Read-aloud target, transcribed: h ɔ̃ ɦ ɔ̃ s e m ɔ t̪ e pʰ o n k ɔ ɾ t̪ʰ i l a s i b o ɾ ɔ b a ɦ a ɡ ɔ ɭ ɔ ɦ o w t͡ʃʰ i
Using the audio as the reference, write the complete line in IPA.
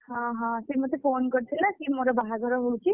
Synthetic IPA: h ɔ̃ ɦ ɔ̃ s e m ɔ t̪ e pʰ o n k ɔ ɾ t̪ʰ i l a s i m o ɾ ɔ b a ɦ a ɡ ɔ ɾ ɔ ɦ o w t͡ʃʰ i